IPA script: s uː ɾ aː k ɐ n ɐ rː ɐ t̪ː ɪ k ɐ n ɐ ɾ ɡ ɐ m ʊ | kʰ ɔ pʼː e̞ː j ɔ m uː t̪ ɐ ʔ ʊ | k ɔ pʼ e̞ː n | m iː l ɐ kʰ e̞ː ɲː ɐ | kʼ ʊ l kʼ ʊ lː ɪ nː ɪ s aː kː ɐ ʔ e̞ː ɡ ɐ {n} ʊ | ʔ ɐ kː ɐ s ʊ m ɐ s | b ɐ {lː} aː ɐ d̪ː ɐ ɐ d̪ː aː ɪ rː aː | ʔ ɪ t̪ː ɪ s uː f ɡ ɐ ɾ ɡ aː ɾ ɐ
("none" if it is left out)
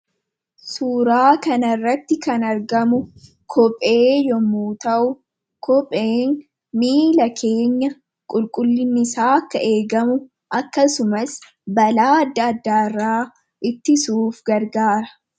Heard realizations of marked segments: m, l

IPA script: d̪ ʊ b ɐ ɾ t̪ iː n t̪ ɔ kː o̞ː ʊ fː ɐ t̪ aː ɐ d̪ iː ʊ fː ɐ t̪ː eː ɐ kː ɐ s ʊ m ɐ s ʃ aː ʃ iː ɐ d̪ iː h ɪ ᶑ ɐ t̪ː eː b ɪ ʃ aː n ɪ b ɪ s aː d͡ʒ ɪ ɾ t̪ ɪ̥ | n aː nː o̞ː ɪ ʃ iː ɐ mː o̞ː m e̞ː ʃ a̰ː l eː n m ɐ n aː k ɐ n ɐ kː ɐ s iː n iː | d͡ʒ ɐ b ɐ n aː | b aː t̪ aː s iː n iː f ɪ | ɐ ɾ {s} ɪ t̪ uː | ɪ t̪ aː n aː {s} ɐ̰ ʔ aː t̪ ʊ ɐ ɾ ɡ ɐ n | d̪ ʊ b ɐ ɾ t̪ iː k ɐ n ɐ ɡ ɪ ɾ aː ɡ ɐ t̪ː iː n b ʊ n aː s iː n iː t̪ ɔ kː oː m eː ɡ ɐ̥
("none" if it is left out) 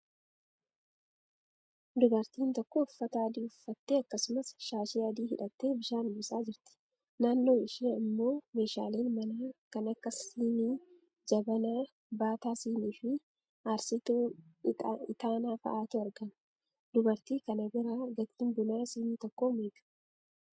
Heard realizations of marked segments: s, f

